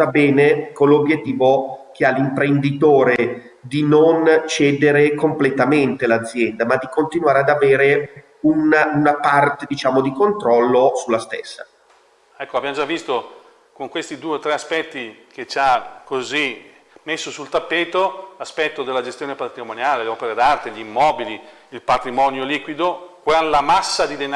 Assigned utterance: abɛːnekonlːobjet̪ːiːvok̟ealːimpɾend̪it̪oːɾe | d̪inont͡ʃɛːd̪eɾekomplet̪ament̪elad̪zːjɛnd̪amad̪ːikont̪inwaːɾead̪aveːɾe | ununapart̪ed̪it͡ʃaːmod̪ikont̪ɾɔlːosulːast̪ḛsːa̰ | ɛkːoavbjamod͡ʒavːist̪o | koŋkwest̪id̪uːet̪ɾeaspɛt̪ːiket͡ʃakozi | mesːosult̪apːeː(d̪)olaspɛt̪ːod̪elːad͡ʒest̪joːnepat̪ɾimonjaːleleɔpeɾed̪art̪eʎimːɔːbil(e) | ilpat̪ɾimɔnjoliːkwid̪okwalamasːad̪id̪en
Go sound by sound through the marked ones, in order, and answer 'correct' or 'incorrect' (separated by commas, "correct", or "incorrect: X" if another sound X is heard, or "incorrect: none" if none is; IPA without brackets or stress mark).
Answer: incorrect: t̪, incorrect: i